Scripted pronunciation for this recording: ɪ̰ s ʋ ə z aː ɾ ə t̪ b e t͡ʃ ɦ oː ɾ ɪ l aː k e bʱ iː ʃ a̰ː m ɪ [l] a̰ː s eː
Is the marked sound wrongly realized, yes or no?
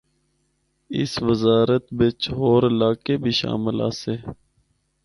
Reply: no